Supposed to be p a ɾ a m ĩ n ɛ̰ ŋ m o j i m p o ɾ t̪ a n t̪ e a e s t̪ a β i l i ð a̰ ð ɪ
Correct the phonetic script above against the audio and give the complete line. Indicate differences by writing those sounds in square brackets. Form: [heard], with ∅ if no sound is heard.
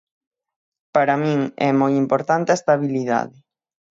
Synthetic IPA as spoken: p a ɾ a m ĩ [ŋ] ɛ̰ [∅] m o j i m p o ɾ t̪ a n t̪ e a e s t̪ a β i l i ð a̰ ð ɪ

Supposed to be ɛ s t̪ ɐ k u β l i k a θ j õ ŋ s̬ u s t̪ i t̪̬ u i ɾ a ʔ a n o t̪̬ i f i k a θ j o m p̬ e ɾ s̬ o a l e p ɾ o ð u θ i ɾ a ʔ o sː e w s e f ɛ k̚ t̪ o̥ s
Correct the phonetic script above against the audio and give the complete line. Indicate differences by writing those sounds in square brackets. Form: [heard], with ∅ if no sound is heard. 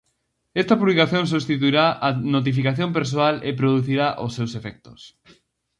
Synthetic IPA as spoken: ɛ s t̪ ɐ [p] u β l i k a θ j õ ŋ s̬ u s t̪ i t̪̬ u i ɾ a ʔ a n o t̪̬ i f i k a θ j o m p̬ e ɾ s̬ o a l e p ɾ o ð u θ i ɾ a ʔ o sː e w s e f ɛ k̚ t̪ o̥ s

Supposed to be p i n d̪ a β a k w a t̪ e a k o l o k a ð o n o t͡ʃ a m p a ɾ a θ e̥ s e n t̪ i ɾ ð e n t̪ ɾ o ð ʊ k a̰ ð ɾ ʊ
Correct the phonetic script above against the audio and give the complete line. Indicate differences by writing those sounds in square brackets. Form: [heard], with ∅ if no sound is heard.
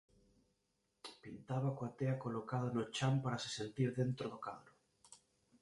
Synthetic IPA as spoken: p i n [t̪] a β a k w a t̪ e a k o l o k a ð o n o t͡ʃ a m p a ɾ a [s] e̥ s e n t̪ i ɾ ð e n t̪ ɾ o ð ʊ k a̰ ð ɾ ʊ

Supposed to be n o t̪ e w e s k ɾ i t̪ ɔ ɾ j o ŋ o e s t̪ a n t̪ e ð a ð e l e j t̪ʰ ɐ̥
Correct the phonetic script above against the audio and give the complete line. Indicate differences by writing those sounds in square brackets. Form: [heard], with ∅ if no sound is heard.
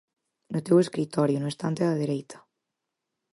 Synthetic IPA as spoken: n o t̪ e w e s k ɾ i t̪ ɔ ɾ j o [n] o e s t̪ a n t̪ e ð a ð e [ɾ] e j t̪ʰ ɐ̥

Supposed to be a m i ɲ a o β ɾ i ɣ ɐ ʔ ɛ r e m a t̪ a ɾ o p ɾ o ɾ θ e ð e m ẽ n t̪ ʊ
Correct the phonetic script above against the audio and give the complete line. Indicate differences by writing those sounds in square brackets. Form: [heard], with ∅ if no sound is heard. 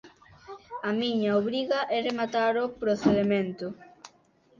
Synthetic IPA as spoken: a m i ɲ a o β ɾ i ɣ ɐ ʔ ɛ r e m a t̪ a ɾ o p ɾ o [∅] θ e ð e m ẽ n t̪ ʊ

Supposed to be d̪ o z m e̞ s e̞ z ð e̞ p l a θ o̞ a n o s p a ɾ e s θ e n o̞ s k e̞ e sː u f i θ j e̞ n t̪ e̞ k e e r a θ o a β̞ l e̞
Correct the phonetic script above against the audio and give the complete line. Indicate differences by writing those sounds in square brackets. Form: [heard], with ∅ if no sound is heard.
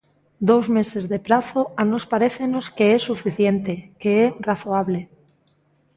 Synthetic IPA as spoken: d̪ o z m e̞ s e̞ z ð e̞ p [ɾ] a θ o̞ a n o s p a ɾ e [∅] θ e n o̞ s k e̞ e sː u f i θ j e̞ n t̪ e̞ k e e r a θ o a β̞ l e̞

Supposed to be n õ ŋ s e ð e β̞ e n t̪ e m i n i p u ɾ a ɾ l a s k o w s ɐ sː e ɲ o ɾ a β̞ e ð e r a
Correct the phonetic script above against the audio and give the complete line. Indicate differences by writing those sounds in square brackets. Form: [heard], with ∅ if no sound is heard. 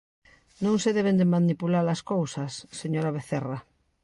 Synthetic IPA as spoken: n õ ŋ s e ð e β̞ e n [d̪] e m [a] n i p u [l] a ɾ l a s k o w s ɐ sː e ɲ o ɾ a β̞ e [θ] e r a

